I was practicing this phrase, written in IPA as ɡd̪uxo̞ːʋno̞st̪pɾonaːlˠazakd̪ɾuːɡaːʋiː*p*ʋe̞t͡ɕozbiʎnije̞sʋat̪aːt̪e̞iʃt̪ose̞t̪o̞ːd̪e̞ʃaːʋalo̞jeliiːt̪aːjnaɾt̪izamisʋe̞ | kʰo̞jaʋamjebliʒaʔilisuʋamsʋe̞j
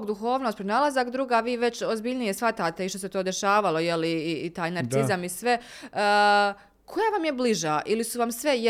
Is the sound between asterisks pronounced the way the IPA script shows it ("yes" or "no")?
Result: no